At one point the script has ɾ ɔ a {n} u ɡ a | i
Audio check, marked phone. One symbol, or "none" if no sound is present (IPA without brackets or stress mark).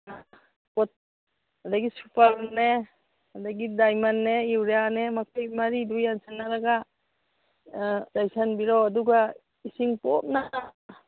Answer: d